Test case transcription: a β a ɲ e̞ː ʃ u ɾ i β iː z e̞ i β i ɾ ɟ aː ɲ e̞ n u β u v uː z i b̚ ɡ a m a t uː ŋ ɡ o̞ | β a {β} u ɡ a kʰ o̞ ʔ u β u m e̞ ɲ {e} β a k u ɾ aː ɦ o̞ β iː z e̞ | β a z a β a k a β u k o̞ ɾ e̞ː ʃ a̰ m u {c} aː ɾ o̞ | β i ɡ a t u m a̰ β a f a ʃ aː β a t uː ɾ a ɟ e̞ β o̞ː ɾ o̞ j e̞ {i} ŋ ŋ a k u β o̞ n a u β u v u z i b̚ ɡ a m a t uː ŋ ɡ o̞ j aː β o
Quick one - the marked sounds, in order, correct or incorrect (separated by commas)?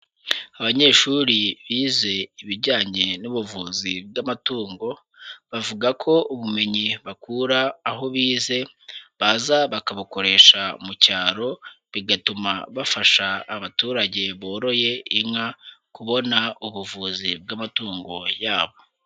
incorrect, incorrect, correct, correct